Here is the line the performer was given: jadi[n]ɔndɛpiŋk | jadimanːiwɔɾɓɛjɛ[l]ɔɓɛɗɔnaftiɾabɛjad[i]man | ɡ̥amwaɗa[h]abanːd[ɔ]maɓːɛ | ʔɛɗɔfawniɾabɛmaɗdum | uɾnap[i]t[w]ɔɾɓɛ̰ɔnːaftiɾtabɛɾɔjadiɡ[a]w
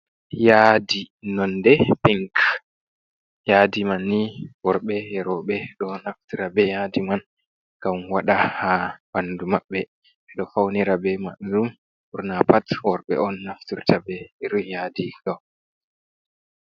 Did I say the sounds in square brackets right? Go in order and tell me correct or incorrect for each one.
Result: correct, incorrect, correct, correct, incorrect, incorrect, correct, correct

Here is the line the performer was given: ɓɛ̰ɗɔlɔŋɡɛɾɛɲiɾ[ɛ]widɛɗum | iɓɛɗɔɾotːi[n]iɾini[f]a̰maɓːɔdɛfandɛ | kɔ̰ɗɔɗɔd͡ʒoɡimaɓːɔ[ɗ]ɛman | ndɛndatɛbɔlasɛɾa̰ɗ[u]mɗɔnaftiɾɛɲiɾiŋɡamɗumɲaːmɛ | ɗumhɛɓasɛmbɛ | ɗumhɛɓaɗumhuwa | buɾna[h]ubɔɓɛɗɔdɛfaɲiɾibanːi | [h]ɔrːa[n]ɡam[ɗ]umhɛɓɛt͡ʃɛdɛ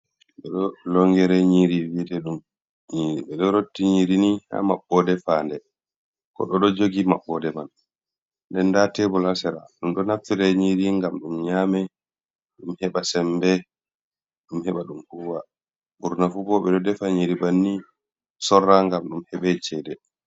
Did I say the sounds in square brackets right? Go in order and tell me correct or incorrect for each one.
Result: incorrect, incorrect, incorrect, incorrect, correct, incorrect, incorrect, incorrect, correct

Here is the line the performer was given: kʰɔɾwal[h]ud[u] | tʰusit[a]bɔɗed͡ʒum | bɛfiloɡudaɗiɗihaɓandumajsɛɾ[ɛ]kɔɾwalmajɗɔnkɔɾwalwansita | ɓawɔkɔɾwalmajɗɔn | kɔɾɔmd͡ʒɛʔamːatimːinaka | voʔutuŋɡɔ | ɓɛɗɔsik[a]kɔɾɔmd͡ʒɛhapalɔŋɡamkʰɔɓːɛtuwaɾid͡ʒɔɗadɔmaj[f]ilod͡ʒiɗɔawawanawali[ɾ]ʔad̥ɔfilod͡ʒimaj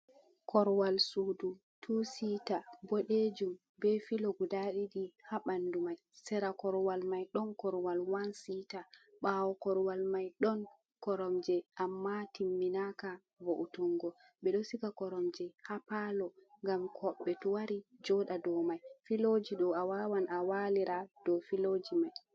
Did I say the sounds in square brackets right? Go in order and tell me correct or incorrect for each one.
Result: incorrect, correct, correct, incorrect, correct, correct, correct

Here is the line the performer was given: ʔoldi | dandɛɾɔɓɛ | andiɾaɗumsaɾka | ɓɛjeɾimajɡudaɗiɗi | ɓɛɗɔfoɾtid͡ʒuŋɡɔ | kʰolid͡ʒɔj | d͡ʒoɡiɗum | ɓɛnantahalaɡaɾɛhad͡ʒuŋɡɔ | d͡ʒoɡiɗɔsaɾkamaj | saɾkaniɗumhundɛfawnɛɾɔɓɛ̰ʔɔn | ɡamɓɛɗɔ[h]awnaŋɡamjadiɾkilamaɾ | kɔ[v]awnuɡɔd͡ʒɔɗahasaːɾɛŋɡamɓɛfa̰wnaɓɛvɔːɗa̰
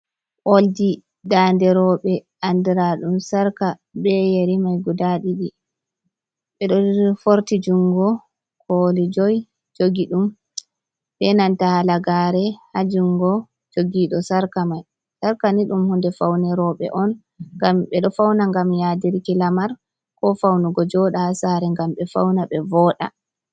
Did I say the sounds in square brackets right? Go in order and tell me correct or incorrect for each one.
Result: incorrect, incorrect

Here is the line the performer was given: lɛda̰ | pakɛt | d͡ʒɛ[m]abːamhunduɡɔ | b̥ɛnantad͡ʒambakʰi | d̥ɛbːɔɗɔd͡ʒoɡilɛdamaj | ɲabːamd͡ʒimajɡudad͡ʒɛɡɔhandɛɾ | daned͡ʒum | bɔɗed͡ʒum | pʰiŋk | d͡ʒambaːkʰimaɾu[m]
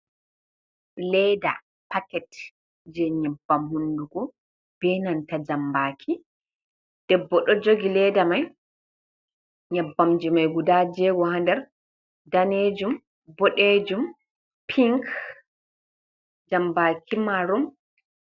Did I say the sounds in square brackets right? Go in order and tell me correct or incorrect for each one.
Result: incorrect, correct

